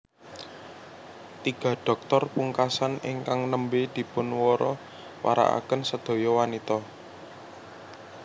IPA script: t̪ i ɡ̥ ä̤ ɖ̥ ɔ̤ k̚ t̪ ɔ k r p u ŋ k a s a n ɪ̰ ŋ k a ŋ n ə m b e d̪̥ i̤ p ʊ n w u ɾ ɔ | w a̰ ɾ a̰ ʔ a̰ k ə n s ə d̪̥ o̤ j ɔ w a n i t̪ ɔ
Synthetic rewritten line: t̪ i ɡ̥ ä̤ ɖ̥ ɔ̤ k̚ t̪ ɔ r p u ŋ k a s a n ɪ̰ ŋ k a ŋ n ə m b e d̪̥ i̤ p ʊ n w ɔ ɾ ɔ | w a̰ ɾ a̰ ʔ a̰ k ə n s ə d̪̥ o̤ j ɔ w a n i t̪ ɔ